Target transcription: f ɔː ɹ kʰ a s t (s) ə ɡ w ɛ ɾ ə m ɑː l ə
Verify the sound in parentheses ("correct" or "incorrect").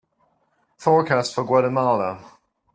incorrect